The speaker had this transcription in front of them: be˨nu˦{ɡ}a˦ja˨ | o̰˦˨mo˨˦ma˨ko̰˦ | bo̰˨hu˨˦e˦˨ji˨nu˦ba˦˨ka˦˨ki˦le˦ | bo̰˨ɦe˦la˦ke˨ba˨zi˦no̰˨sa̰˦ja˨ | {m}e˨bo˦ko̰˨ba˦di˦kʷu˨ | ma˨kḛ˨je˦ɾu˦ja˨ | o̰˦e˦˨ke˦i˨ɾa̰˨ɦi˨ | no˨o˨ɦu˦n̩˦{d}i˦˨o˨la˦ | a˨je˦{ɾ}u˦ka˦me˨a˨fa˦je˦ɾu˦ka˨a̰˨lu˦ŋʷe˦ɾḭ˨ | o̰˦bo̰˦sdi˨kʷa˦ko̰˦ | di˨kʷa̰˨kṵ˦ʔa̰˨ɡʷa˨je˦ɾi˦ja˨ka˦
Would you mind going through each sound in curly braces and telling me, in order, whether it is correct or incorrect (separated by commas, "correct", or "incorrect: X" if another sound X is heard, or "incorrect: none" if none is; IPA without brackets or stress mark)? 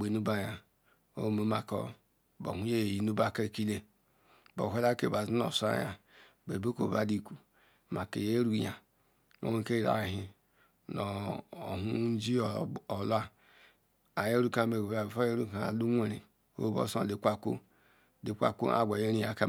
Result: incorrect: b, incorrect: b, incorrect: d͡ʒ, correct